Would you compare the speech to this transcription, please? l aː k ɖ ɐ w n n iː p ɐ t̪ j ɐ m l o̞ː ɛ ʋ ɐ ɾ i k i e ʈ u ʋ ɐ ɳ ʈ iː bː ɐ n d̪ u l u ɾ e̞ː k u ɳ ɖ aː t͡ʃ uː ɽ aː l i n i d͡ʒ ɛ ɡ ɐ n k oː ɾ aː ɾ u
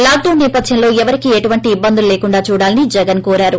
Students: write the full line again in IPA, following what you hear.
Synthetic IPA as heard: l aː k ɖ ɐ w n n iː p ɐ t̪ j ɐ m l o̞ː ɛ ʋ ɐ ɾ i k i e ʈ u ʋ ɐ ɳ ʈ iː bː ɐ n d̪ u l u l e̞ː k u ɳ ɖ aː t͡ʃ uː ɽ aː l i n i d͡ʒ ɛ ɡ ɐ n k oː ɾ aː ɾ u